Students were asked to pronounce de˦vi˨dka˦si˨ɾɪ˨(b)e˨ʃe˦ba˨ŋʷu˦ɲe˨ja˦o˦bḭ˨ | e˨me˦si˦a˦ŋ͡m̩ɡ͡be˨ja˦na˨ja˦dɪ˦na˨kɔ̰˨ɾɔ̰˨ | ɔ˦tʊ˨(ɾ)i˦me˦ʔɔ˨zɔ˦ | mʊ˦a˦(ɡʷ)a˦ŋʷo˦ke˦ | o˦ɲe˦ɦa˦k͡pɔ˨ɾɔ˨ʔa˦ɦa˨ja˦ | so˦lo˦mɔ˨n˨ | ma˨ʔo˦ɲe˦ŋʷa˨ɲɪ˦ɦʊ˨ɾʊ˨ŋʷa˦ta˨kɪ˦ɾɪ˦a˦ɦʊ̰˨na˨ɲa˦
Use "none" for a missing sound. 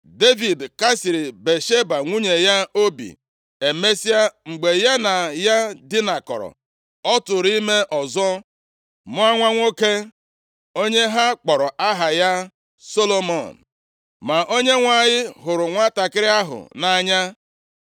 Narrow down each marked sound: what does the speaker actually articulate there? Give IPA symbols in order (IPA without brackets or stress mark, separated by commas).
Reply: b, ɾ, ŋʷ